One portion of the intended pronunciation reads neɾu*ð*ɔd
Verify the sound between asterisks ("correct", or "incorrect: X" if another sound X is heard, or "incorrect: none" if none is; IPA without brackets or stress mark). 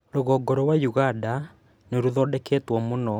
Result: correct